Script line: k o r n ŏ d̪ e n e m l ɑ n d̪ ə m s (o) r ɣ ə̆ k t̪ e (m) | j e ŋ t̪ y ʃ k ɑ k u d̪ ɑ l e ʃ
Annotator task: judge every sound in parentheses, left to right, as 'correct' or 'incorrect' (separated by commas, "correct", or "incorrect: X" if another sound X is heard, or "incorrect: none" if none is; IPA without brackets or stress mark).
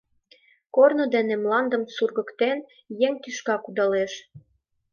incorrect: u, incorrect: n